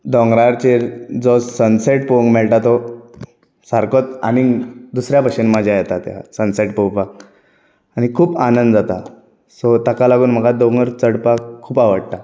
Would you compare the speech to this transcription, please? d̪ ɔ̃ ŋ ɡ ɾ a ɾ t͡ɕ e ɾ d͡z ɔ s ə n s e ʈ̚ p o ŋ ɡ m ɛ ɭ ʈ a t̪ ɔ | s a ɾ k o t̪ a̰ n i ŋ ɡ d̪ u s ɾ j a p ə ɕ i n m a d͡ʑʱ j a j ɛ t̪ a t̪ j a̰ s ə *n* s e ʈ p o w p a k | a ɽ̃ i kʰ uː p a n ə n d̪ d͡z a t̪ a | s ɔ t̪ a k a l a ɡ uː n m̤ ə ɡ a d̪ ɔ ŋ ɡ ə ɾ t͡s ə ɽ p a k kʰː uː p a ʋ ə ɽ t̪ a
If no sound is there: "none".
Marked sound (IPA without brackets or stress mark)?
n